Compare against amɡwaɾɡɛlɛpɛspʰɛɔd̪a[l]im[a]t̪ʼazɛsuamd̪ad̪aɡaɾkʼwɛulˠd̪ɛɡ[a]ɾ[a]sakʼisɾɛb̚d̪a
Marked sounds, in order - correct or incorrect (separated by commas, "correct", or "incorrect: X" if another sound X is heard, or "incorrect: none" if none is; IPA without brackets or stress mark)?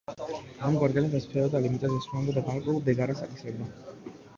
correct, incorrect: i, correct, correct